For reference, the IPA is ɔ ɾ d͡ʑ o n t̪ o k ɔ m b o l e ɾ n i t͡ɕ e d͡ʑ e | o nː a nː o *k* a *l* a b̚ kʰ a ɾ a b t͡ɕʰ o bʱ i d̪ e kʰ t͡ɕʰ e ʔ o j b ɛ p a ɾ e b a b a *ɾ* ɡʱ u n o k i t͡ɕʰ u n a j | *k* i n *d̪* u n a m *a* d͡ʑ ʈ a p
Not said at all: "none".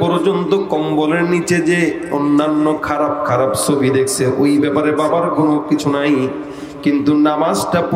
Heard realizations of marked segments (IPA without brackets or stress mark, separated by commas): kʰ, ɾ, ɾ, k, t̪, a